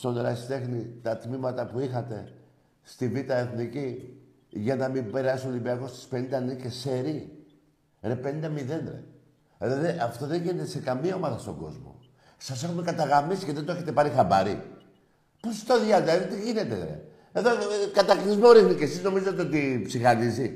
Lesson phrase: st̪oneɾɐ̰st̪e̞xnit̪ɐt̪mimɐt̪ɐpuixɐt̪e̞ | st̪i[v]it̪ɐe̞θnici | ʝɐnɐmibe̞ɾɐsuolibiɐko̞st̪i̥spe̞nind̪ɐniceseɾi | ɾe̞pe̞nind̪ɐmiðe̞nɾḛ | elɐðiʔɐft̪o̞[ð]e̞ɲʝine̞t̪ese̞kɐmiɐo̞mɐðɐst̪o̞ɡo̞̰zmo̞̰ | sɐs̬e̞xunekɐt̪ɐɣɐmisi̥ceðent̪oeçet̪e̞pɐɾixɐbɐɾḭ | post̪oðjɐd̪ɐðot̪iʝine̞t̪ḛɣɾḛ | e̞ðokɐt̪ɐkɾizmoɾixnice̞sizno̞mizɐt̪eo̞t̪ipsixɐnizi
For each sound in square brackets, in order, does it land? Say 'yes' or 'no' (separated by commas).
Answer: yes, yes